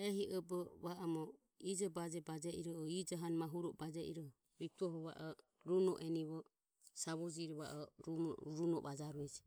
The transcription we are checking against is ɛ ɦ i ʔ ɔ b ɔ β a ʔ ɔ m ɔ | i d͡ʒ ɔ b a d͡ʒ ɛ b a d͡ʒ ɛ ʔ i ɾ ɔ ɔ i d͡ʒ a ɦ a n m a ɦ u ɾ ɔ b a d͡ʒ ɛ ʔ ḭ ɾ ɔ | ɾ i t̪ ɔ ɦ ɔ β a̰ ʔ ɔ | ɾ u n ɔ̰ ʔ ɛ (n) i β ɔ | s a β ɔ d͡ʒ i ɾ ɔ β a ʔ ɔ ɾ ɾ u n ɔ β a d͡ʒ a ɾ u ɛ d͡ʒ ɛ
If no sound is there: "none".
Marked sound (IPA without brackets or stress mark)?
n